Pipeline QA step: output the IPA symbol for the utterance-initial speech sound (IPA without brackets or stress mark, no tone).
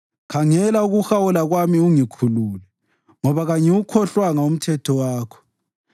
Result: kʰ